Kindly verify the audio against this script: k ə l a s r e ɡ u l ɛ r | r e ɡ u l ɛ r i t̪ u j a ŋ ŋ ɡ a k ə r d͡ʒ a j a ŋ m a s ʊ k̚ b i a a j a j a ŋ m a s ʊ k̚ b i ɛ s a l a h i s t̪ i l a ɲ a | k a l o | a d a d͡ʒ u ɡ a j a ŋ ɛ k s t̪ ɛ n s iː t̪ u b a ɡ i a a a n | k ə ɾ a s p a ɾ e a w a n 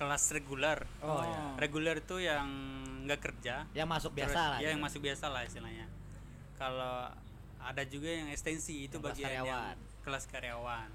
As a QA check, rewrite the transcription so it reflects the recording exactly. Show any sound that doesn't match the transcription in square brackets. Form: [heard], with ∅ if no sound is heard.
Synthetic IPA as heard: k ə l a s r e ɡ u l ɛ r | r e ɡ u l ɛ r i t̪ u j a ŋ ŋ ɡ a k ə r d͡ʒ a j a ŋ m a s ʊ k̚ b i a a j a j a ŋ m a s ʊ k̚ b i [a] s a l a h i s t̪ i l a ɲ a | k a l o | a d a d͡ʒ u ɡ a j a ŋ ɛ k s t̪ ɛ n s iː t̪ u b a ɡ i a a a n | k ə [l] a s [k] a ɾ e a w a n